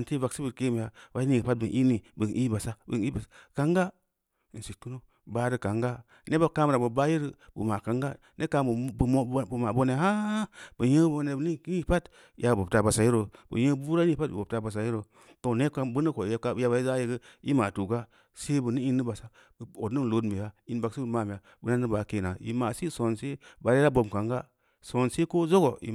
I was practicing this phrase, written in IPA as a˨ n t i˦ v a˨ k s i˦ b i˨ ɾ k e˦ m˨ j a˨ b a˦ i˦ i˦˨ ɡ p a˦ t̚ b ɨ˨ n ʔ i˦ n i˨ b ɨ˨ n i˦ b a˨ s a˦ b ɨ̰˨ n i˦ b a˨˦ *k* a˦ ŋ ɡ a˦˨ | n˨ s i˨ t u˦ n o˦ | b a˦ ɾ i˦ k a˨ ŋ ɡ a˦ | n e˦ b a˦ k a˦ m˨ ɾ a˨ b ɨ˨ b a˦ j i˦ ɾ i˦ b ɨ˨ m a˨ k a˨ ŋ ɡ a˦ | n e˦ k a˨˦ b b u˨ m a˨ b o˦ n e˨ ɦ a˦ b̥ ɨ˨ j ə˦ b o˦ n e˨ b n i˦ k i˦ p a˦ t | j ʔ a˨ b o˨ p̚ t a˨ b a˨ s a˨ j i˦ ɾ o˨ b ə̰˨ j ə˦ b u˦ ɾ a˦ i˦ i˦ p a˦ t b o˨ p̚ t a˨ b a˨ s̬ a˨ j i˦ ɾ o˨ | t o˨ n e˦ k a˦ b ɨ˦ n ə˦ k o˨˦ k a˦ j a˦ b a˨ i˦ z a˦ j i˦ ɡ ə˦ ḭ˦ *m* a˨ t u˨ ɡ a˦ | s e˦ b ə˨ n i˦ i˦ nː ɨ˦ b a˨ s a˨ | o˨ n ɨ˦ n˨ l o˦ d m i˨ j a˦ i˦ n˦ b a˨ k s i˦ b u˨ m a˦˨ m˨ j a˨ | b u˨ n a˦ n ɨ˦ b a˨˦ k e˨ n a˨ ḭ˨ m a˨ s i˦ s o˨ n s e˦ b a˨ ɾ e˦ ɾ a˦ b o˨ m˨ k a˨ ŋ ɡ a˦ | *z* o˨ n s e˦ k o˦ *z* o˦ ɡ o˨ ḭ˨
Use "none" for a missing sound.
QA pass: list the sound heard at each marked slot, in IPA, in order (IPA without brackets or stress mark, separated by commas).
k, m, s, z